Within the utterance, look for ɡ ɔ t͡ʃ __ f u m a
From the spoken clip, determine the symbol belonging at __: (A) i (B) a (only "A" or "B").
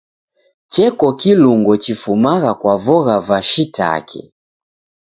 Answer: A